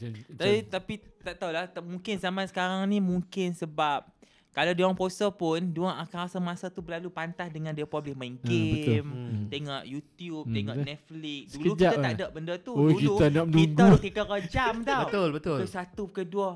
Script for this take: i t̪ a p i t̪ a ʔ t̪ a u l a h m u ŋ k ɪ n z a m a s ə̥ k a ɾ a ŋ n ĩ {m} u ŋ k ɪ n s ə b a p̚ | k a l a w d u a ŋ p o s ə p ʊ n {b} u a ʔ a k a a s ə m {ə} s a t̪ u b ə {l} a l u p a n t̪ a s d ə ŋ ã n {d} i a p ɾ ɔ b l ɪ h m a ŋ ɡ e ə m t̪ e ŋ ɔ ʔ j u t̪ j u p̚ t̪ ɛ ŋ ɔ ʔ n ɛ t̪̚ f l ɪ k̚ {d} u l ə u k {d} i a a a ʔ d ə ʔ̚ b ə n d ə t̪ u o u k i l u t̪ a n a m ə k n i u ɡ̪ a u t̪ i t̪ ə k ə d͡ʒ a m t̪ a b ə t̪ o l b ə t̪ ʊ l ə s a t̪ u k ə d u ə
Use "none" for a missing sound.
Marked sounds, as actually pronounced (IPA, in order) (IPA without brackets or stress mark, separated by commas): m, d, a, l, d, d, d͡ʒ